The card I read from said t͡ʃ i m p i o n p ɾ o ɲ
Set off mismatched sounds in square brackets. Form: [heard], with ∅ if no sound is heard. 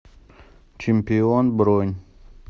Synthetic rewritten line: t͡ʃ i m p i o n [b] ɾ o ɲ